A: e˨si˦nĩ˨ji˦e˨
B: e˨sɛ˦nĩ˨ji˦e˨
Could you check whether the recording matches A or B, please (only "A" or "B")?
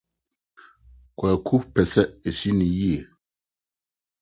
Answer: A